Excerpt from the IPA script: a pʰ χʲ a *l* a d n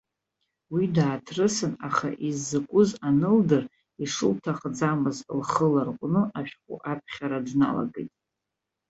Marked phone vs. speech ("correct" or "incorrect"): incorrect